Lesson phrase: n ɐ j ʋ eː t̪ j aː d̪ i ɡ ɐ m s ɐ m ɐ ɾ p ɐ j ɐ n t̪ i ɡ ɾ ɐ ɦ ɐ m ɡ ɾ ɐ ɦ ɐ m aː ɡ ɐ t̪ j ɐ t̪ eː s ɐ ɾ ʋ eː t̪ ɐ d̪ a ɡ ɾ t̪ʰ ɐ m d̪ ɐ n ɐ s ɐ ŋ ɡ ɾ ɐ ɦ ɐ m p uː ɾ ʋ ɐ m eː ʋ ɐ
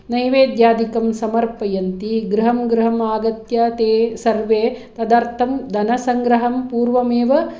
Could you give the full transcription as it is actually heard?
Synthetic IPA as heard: n ɐ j ʋ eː d̪ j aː d̪ i k ɐ m s ɐ m ɐ ɾ p ɐ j ɐ n t̪ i ɡ ɾ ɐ ɦ ɐ m ɡ ɾ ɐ ɦ ɐ m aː ɡ ɐ t̪ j ɐ t̪ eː s ɐ ɾ ʋ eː t̪ ɐ d̪ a ɾ t̪ʰ ɐ m d̪ ɐ n ɐ s ɐ ŋ ɡ ɾ ɐ ɦ ɐ m p uː ɾ ʋ ɐ m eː ʋ ɐ